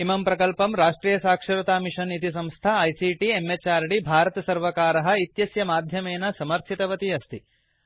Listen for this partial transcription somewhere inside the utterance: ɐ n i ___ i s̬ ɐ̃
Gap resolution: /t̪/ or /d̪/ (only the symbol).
t̪